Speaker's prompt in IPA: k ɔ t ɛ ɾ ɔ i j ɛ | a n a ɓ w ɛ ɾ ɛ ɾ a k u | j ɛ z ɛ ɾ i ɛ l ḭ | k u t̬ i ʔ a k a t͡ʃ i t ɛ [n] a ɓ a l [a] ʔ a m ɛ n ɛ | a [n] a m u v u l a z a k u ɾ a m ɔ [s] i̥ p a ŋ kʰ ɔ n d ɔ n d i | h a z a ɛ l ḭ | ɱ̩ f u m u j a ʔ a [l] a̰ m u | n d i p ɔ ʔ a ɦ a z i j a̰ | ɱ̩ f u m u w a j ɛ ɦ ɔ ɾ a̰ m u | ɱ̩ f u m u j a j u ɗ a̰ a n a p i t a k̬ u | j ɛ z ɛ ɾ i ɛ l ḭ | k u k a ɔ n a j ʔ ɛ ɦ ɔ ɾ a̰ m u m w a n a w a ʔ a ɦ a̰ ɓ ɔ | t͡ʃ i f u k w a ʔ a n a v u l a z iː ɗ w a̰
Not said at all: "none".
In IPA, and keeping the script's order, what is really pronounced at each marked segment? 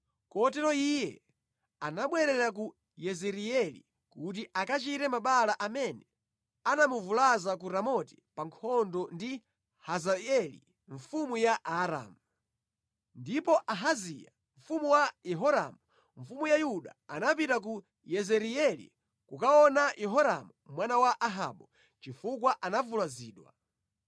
m, a, n, t, ɾ

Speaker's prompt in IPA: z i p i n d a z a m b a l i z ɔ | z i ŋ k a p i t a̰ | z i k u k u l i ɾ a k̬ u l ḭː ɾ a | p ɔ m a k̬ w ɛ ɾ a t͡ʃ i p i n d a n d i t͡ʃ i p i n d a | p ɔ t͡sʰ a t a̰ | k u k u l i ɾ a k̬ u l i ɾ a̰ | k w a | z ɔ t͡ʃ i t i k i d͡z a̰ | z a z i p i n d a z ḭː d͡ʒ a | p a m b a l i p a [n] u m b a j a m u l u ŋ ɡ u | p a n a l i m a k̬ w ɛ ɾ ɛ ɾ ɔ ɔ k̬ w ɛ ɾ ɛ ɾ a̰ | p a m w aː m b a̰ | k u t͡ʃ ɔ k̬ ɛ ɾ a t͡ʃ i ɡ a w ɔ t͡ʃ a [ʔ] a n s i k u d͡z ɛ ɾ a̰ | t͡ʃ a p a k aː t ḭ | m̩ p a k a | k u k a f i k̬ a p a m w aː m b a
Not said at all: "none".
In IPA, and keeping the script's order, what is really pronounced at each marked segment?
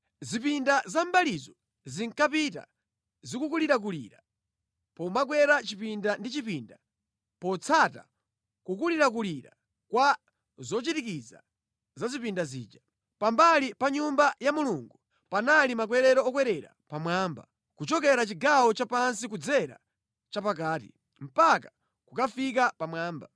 ɲ, p

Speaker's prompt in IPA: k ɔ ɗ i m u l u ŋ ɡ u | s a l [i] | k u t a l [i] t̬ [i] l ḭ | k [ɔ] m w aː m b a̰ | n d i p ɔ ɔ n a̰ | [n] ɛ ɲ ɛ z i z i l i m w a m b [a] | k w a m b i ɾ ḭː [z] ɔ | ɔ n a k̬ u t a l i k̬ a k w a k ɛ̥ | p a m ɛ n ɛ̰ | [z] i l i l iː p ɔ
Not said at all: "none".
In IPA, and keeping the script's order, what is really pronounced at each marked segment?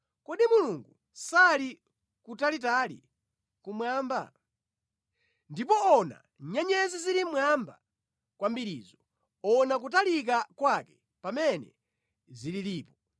i, i, a, u, ɲ, a, z, z

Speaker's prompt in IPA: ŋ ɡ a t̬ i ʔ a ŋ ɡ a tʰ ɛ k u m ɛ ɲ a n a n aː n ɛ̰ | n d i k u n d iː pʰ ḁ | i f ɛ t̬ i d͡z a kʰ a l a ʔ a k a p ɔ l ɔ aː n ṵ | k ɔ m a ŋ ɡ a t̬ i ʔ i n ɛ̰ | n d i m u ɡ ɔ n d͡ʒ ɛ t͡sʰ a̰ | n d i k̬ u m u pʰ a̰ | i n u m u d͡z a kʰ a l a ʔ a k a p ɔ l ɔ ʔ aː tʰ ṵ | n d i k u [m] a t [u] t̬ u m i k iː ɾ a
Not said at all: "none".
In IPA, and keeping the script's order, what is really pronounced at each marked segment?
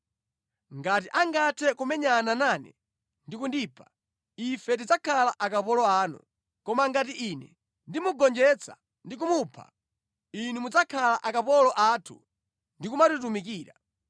m, u

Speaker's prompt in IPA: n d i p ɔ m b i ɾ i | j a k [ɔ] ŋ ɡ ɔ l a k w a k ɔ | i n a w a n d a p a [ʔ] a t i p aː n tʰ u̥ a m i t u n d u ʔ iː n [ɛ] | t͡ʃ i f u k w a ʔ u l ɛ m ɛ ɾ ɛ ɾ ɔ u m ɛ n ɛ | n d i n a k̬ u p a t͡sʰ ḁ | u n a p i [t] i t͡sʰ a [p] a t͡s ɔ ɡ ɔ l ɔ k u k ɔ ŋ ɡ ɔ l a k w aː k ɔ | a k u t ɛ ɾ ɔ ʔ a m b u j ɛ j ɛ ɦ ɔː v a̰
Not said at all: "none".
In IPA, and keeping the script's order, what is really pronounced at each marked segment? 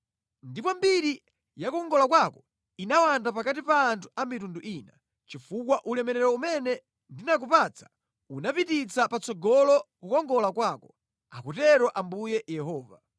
ɔ, k, a, t, p

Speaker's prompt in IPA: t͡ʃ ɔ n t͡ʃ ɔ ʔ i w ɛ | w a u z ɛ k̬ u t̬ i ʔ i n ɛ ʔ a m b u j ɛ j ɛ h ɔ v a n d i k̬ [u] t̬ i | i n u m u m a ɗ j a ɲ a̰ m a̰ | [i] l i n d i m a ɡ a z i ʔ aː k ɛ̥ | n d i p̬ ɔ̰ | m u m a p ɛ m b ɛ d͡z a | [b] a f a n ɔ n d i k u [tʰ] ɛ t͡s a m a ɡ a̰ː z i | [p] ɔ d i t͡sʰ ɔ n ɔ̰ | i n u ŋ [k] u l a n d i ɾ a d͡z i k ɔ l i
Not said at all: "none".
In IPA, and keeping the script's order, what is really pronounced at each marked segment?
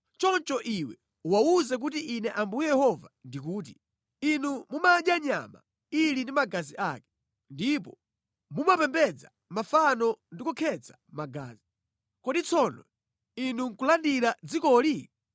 uː, i, m, kʰ, k, k

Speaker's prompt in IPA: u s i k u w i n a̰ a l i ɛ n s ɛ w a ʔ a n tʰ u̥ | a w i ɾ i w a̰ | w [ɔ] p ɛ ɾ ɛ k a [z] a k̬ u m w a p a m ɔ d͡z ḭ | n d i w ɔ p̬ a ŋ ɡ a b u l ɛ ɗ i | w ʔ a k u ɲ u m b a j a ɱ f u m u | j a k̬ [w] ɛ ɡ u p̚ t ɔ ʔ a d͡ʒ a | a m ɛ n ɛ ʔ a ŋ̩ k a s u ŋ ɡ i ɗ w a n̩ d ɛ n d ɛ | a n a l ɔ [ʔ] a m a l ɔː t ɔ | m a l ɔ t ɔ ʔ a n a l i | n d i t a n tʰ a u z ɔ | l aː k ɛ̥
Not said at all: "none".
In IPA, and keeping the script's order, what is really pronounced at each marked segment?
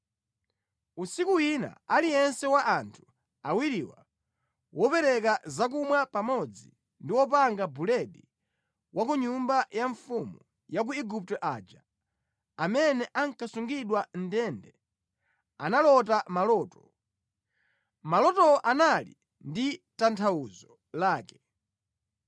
ɔ, z, u, t

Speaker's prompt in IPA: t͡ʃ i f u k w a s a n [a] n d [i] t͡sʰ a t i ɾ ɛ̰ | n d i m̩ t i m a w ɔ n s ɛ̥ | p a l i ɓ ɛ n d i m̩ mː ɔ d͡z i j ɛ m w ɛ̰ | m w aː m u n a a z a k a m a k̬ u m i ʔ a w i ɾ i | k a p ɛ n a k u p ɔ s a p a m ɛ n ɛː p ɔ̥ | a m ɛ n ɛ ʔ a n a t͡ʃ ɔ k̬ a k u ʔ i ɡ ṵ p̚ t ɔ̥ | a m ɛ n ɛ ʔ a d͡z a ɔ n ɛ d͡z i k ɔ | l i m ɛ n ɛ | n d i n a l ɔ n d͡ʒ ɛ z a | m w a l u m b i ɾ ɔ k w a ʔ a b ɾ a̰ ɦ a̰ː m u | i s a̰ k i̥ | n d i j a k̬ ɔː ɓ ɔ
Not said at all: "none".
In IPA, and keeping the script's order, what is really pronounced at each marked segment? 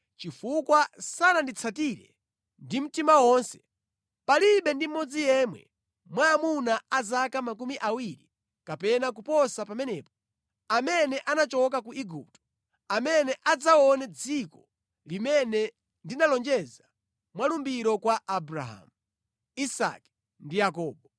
a, i

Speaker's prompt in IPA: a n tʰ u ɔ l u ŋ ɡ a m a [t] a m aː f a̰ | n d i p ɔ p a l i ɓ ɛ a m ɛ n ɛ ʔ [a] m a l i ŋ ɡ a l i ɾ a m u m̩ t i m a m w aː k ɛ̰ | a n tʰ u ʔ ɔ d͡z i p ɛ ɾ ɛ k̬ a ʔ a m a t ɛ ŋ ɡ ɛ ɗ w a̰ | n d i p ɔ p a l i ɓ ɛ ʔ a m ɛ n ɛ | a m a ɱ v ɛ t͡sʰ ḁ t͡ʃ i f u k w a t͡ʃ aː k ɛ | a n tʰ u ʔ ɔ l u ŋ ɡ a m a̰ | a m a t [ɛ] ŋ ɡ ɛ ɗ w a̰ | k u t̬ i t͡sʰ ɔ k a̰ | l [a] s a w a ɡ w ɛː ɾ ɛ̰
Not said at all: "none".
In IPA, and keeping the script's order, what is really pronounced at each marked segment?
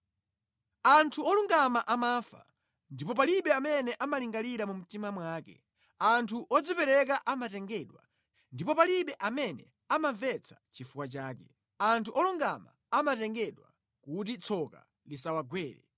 ʔ, a, ɛ, i

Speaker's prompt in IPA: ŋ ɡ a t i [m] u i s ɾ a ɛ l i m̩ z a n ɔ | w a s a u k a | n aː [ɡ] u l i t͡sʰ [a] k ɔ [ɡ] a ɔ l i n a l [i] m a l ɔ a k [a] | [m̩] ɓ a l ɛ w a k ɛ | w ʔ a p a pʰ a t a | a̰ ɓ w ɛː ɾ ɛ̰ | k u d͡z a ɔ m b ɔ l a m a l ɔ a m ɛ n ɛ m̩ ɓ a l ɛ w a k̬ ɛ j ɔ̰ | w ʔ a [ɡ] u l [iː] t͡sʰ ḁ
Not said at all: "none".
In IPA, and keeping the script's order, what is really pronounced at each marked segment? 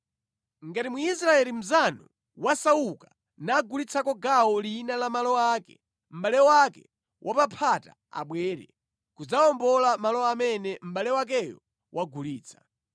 m, ɡ, a, ɡ, a, ɛ, m̩, ɡ, iː

